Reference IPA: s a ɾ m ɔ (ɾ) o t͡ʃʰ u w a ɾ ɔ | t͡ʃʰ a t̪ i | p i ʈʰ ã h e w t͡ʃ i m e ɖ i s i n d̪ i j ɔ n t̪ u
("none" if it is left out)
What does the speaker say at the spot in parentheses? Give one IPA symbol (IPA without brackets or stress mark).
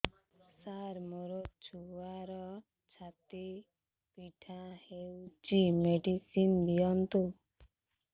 ɾ